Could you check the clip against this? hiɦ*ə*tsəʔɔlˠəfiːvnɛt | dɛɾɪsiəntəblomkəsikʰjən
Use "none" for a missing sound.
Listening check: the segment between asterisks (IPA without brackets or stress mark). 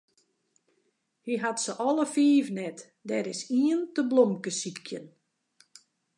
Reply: a